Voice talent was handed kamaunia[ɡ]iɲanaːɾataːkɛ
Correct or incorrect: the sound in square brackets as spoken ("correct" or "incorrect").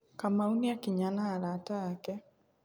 incorrect